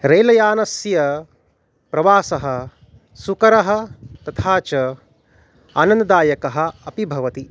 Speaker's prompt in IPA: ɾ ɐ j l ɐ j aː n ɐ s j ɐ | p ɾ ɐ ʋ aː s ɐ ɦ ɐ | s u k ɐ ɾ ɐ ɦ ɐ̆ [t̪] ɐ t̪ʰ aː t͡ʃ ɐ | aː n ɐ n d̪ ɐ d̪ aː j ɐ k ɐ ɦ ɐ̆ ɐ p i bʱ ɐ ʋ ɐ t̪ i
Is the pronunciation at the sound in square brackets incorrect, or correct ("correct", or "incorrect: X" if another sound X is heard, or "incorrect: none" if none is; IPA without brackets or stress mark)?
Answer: correct